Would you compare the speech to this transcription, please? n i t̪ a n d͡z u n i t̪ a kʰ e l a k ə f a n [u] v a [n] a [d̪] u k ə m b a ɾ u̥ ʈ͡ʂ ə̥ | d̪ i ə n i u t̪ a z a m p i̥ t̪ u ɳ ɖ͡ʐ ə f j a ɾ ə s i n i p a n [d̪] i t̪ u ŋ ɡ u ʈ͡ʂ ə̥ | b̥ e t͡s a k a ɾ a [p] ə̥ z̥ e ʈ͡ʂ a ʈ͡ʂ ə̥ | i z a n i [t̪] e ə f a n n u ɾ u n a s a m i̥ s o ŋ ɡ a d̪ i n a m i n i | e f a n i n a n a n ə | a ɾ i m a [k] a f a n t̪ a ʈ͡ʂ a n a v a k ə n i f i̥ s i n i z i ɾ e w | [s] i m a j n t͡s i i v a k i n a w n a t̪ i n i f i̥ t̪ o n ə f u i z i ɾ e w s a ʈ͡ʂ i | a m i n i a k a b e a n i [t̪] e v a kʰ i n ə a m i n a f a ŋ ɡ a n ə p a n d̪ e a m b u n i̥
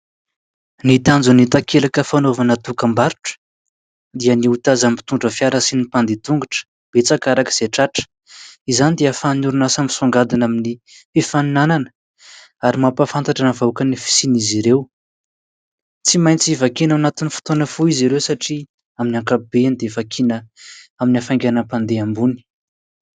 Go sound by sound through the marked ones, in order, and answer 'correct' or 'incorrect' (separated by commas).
incorrect, correct, incorrect, correct, incorrect, incorrect, incorrect, incorrect, incorrect